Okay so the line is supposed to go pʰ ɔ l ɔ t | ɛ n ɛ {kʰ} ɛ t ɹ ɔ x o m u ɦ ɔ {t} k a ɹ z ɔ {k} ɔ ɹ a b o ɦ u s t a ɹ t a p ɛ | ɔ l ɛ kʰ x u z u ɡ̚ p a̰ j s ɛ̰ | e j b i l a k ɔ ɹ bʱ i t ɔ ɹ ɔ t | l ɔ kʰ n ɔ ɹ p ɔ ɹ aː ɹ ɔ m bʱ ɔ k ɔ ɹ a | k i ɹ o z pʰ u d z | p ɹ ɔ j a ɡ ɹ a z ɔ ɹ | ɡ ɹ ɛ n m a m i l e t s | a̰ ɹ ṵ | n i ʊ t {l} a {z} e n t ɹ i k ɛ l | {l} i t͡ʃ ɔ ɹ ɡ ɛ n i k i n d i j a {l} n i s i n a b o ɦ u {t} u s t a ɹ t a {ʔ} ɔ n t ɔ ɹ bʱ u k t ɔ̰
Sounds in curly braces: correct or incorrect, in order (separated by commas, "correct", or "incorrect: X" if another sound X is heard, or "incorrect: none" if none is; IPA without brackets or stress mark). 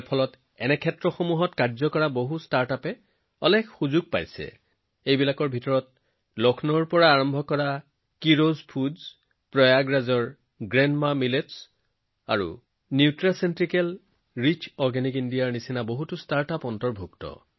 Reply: correct, correct, correct, incorrect: ɹ, incorrect: s, incorrect: ɹ, incorrect: ɹ, correct, incorrect: p